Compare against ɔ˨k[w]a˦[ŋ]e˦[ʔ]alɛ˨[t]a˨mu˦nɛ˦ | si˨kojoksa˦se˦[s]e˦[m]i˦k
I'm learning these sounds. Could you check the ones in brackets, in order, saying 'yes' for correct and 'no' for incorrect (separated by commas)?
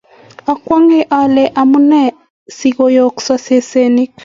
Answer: yes, yes, yes, no, yes, no